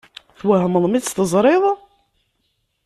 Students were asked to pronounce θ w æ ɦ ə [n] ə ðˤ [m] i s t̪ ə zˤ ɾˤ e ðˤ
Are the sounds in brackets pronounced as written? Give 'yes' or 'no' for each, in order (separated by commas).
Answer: no, yes